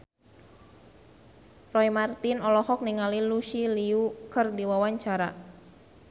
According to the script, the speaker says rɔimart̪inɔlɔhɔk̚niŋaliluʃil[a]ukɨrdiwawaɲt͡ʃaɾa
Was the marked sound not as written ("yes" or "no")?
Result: yes